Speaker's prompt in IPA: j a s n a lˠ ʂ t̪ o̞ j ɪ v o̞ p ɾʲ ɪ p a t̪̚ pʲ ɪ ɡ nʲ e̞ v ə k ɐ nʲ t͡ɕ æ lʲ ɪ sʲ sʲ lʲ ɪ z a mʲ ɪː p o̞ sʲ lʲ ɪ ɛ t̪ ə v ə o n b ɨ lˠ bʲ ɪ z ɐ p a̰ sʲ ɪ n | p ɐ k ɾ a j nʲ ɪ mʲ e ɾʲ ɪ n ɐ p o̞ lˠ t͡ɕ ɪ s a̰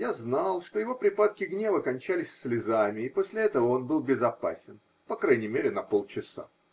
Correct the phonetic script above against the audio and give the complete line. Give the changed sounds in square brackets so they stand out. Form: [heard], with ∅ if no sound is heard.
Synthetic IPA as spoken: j a [z] n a lˠ ʂ t̪ o̞ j ɪ v o̞ p ɾʲ ɪ p a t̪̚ [kʲ] ɪ ɡ nʲ e̞ v ə k ɐ nʲ t͡ɕ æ lʲ ɪ sʲ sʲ lʲ ɪ z a mʲ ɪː p o̞ sʲ lʲ ɪ ɛ t̪ ə v ə o n b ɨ lˠ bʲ ɪ z ɐ p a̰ sʲ ɪ n | p ɐ k ɾ a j nʲ ɪ mʲ e ɾʲ ɪ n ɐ p o̞ lˠ t͡ɕ ɪ s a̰

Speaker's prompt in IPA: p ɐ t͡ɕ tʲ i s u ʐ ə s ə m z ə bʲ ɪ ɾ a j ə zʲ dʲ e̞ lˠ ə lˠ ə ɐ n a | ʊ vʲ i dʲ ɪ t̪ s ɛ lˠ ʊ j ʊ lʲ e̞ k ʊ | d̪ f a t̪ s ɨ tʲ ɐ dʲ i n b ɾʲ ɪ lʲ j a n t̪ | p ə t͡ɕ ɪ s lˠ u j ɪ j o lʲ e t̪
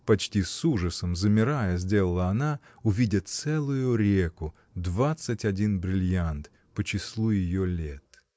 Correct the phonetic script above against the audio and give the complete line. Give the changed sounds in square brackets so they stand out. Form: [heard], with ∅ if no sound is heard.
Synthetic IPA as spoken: p ɐ t͡ɕ tʲ i s u ʐ ə s ə m z ə [mʲ] ɪ ɾ a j ə zʲ dʲ e̞ lˠ ə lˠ ə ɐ n a | ʊ vʲ i dʲ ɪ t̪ s ɛ lˠ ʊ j ʊ [ɾʲ] e̞ k ʊ | d̪ [v] a t̪ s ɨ tʲ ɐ dʲ i n b ɾʲ ɪ lʲ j a n t̪ | p ə t͡ɕ ɪ s lˠ u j ɪ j o lʲ e t̪

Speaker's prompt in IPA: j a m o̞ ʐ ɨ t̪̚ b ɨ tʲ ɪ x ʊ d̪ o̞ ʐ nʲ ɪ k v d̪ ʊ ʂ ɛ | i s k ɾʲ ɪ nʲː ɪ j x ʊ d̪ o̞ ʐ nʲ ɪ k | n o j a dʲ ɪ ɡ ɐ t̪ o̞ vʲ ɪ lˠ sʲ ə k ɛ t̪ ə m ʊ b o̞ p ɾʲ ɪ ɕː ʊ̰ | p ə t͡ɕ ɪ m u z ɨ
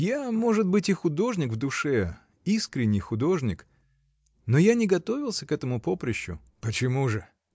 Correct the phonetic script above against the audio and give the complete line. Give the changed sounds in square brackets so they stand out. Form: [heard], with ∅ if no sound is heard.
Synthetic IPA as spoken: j a m o̞ ʐ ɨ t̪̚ b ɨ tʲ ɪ x ʊ d̪ o̞ ʐ nʲ ɪ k v d̪ ʊ ʂ ɛ | i s k ɾʲ ɪ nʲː ɪ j x ʊ d̪ o̞ ʐ nʲ ɪ k | n o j a [nʲ] ɪ ɡ ɐ t̪ o̞ vʲ ɪ lˠ sʲ ə k ɛ t̪ ə m ʊ [p] o̞ p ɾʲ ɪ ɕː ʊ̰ | p ə t͡ɕ ɪ m u [ʐ] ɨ

